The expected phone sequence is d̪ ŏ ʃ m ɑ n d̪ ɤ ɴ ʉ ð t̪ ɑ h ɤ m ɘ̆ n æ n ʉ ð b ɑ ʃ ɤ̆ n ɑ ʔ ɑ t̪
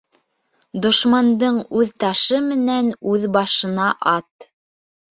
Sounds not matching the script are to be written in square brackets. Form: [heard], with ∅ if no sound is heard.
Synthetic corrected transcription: d̪ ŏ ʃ m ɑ n d̪ ɤ ɴ ʉ ð t̪ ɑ [ʃ] ɤ m ɘ̆ n æ n ʉ ð b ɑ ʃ ɤ̆ n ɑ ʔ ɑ t̪